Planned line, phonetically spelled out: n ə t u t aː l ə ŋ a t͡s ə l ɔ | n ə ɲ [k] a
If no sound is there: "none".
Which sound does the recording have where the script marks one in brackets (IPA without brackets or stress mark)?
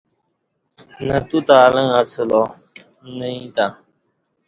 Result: t